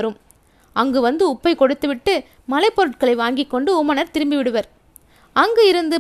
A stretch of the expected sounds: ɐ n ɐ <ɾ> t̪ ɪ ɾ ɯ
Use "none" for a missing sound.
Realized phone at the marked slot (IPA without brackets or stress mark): ɾ